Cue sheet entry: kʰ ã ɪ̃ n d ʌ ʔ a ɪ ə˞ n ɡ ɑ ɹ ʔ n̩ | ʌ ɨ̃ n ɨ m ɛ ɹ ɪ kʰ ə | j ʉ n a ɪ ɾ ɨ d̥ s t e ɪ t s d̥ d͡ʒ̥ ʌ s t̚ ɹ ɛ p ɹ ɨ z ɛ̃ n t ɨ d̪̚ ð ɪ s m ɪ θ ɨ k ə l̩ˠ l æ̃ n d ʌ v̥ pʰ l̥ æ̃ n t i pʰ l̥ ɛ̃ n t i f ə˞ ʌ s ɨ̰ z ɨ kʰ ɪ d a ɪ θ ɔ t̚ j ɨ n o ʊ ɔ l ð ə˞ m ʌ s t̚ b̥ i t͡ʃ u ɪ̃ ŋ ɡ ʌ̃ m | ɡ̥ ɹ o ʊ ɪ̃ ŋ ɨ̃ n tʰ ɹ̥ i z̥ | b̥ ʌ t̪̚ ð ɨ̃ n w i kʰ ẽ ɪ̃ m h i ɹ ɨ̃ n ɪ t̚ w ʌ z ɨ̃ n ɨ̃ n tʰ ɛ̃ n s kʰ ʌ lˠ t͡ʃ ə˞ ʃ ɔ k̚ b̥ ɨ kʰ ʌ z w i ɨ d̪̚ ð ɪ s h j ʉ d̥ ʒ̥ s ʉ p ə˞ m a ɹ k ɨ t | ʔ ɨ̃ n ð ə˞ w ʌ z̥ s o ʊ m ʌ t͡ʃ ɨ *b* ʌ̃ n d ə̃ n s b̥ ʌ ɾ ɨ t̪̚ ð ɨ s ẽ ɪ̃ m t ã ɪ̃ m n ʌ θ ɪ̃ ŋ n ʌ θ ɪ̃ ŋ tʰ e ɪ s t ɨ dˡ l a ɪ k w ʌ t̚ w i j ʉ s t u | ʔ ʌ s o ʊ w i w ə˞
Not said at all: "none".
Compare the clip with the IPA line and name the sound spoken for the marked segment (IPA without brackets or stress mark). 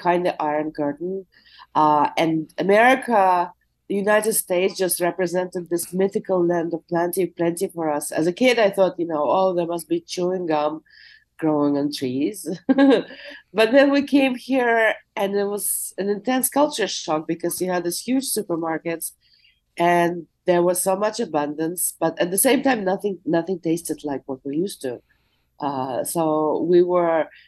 b